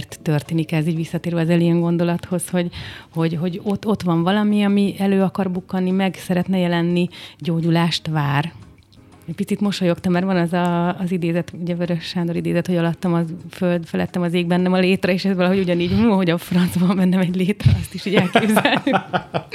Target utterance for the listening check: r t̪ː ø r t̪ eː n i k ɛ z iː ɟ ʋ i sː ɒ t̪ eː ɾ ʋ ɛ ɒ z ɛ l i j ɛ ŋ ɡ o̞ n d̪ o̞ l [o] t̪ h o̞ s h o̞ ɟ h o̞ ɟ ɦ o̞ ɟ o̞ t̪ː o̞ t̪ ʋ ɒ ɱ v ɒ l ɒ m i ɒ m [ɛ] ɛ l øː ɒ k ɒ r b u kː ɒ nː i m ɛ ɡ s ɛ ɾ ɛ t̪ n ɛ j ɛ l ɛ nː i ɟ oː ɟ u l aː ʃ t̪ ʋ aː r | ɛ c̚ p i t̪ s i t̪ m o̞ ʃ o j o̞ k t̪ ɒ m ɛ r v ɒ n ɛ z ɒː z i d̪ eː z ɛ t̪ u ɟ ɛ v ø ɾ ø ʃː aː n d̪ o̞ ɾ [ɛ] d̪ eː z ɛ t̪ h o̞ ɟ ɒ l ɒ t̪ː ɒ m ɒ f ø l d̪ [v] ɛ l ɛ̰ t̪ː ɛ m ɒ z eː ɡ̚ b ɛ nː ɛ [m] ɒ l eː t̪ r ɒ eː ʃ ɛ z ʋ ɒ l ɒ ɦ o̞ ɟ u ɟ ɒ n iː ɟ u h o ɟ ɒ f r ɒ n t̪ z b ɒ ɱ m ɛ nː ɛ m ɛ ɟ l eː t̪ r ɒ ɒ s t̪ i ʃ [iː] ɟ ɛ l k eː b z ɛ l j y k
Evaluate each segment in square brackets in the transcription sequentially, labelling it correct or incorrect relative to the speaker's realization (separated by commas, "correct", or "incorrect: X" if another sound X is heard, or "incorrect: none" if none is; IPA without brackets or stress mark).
incorrect: ɒ, incorrect: i, incorrect: i, incorrect: f, correct, correct